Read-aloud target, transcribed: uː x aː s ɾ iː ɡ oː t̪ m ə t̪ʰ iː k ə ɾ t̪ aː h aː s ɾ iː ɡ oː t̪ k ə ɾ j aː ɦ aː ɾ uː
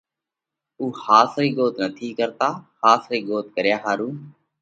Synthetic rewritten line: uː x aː s ɾ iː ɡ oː t̪ n ə t̪ʰ iː k ə ɾ t̪ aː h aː s ɾ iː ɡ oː t̪ k ə ɾ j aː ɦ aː ɾ uː